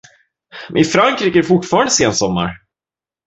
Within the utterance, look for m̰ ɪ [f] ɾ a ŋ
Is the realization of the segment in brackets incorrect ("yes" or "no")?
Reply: no